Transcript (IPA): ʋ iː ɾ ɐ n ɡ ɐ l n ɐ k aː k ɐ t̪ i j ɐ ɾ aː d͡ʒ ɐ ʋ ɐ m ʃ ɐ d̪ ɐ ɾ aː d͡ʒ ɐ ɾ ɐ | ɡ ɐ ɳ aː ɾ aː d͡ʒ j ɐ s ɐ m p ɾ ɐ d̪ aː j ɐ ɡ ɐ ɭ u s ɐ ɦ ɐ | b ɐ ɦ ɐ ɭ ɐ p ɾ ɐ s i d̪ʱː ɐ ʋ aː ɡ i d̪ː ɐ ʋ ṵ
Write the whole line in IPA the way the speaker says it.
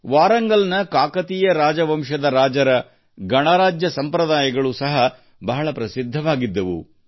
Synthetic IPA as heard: ʋ aː ɾ ɐ ŋ ɡ ɐ l n ɐ k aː k ɐ t̪ i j ɐ ɾ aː d͡ʒ ɐ ʋ ɐ m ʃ ɐ d̪ ɐ ɾ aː d͡ʒ ɐ ɾ ɐ | ɡ ɐ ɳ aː ɾ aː d͡ʒ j ɐ s ɐ m p ɾ ɐ d̪ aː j ɐ ɡ ɐ ɭ u s ɐ ɦ ɐ | b ɐ ɦ ɐ ɭ ɐ p ɾ ɐ s i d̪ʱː ɐ ʋ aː ɡ i d̪ː ɐ ʋ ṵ

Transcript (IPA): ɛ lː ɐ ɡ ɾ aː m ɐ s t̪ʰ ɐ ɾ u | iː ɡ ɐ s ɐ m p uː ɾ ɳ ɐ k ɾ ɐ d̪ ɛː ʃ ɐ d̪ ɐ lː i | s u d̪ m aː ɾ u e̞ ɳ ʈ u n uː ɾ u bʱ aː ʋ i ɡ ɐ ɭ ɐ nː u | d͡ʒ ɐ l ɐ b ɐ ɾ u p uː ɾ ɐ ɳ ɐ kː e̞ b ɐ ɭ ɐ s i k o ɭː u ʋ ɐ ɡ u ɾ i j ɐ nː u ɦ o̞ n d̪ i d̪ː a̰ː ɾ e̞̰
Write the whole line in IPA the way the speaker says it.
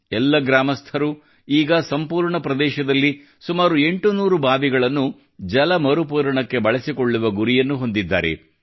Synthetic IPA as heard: ɛ lː ɐ ɡ ɾ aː m ɐ s t̪ʰ ɐ ɾ u | iː ɡ ɐ s ɐ m p uː ɾ ɳ ɐ p ɾ ɐ d̪ ɛː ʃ ɐ d̪ ɐ lː i | s u m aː ɾ u e̞ ɳ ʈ u n uː ɾ u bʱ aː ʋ i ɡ ɐ ɭ ɐ nː u | d͡ʒ ɐ l ɐ m ɐ ɾ u p uː ɾ ɐ ɳ ɐ kː e̞ b ɐ ɭ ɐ s i k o ɭː u ʋ ɐ ɡ u ɾ i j ɐ nː u ɦ o̞ n d̪ i d̪ː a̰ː ɾ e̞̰

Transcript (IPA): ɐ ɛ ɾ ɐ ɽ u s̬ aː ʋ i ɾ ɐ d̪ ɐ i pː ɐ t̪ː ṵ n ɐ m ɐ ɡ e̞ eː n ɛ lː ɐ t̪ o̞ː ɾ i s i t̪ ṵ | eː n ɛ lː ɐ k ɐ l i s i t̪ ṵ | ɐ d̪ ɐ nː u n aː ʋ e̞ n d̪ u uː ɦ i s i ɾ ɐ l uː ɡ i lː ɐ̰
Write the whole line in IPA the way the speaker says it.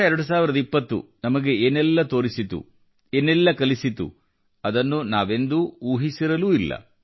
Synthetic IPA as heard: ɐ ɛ ɾ ɐ ɽ u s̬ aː ʋ i ɾ ɐ d̪ ɐ i pː ɐ t̪ː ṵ n ɐ m ɐ ɡ e̞ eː n ɛ lː ɐ t̪ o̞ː ɾ i s i t̪ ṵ | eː n ɛ lː ɐ k ɐ l i s i t̪ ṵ | ɐ d̪ ɐ nː u n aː ʋ e̞ n d̪ u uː ɦ i s i ɾ ɐ l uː i lː ɐ̰

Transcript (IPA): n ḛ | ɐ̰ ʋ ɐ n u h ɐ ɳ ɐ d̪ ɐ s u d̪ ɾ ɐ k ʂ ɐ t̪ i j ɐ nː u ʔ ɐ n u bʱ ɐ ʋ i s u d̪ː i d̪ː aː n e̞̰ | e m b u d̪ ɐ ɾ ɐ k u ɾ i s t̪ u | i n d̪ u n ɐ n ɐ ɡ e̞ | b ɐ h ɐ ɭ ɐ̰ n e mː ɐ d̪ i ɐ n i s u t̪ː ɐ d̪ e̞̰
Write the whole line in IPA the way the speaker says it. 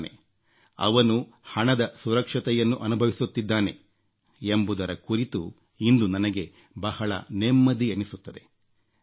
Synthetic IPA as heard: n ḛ | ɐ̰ ʋ ɐ n u h ɐ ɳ ɐ d̪ ɐ s u ɾ ɐ k ʂ ɐ t̪ ɛ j ɐ nː u ʔ ɐ n u bʱ ɐ ʋ i s u t̪ː i d̪ː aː n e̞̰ | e m b u d̪ ɐ ɾ ɐ k u ɾ i t̪ u | i n d̪ u n ɐ n ɐ ɡ e̞ | b ɐ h ɐ ɭ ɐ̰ n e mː ɐ d̪ i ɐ n i s u t̪ː ɐ d̪ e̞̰

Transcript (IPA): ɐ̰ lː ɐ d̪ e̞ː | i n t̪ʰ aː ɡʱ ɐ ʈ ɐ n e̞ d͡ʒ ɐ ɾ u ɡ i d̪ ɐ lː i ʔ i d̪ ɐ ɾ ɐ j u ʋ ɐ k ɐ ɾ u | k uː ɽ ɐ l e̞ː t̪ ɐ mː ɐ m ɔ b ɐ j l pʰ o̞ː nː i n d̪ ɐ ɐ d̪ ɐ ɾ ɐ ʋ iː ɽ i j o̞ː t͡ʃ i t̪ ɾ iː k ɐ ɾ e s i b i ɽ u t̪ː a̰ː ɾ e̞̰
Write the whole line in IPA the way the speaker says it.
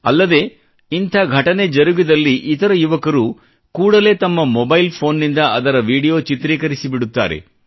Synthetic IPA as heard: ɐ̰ lː ɐ d̪ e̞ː | i n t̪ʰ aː ɡʱ ɐ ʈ ɐ n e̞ d͡ʒ ɐ ɾ u ɡ i d̪ ɐ lː i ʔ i t̪ ɐ ɾ ɐ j u ʋ ɐ k ɐ ɾ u | k uː ɽ ɐ l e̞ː t̪ ɐ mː ɐ m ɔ b ɐ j l pʰ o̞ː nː i n d̪ ɐ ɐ d̪ ɐ ɾ ɐ ʋ iː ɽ i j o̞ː t͡ʃ i t̪ ɾ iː k ɐ ɾ i s i b i ɽ u t̪ː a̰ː ɾ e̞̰

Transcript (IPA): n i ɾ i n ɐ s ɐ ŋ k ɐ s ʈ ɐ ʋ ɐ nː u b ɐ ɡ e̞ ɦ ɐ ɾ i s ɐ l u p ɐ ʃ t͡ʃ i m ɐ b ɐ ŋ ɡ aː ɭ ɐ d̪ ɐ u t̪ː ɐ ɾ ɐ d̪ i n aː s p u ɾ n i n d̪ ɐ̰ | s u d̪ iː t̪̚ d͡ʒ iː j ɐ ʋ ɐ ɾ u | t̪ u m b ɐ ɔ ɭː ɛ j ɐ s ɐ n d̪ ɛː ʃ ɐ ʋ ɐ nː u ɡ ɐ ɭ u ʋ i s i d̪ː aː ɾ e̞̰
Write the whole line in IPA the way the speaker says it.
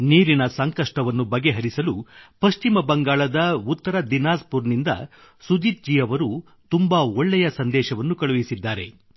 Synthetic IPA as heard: n iː ɾ i n ɐ s ɐ ŋ k ɐ ʂ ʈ ɐ ʋ ɐ nː u b ɐ ɡ e̞ ɦ ɐ ɾ i s ɐ l u p ɐ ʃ t͡ʃ i m ɐ b ɐ ŋ ɡ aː ɭ ɐ d̪ ɐ u t̪ː ɐ ɾ ɐ d̪ i n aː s p u ɾ n i n d̪ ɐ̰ | s u d̪ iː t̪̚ d͡ʒ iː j ɐ ʋ ɐ ɾ u | t̪ u m b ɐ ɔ ɭː ɛ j ɐ s ɐ n d̪ ɛː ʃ ɐ ʋ ɐ nː u k ɐ ɭ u ʋ i s i d̪ː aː ɾ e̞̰

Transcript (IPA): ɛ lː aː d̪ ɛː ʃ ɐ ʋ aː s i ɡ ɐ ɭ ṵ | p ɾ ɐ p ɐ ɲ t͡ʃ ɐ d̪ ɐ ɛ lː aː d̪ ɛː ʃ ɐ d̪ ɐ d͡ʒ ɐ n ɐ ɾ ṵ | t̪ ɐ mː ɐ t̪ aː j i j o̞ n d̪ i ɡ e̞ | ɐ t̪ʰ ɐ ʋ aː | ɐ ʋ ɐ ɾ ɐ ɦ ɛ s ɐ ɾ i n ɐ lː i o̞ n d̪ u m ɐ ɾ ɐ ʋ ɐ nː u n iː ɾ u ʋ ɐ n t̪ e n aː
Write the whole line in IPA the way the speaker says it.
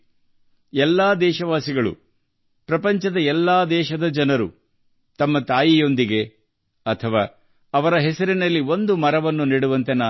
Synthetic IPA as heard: ɛ lː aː d̪ ɛː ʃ ɐ ʋ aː s i ɡ ɐ ɭ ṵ | p ɾ ɐ p ɐ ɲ t͡ʃ ɐ d̪ ɐ ɛ lː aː d̪ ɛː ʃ ɐ d̪ ɐ d͡ʒ ɐ n ɐ ɾ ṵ | t̪ ɐ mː ɐ t̪ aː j i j o̞ n d̪ i ɡ e̞ | ɐ t̪ʰ ɐ ʋ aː | ɐ ʋ ɐ ɾ ɐ ɦ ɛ s ɐ ɾ i n ɐ lː i o̞ n d̪ u m ɐ ɾ ɐ ʋ ɐ nː u n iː ɽ u ʋ ɐ n t̪ e n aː

